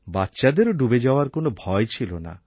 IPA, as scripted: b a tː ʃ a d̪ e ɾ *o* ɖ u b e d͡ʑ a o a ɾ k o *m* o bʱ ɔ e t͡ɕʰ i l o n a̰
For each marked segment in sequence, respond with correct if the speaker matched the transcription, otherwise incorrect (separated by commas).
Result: correct, incorrect